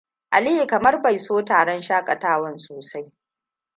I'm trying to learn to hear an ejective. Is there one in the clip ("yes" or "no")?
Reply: yes